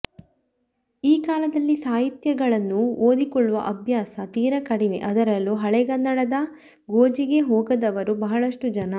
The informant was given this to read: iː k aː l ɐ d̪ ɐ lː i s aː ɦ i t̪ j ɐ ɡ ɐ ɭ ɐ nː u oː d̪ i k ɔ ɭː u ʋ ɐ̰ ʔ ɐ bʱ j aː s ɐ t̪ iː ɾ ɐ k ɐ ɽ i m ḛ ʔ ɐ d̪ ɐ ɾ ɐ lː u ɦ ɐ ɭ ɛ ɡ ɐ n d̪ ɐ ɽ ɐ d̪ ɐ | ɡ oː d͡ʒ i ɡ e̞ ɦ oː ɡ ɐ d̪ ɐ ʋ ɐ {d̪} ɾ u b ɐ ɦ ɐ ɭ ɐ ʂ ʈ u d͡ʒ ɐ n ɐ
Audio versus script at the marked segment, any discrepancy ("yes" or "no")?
yes